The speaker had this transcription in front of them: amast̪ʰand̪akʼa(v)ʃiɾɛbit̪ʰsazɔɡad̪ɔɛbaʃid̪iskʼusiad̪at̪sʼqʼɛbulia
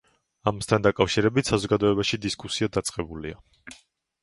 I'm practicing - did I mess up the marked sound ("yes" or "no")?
yes